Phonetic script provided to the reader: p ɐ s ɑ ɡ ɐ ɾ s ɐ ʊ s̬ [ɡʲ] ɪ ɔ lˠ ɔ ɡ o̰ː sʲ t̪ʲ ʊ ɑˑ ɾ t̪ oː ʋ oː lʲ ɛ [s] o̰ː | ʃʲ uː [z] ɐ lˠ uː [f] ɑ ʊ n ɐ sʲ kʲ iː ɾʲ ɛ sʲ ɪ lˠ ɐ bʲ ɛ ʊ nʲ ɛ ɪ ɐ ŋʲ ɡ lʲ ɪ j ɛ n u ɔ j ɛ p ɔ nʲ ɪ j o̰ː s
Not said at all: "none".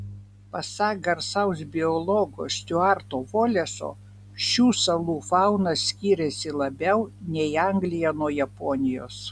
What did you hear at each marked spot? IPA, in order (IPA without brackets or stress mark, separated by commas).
bʲ, s, s, f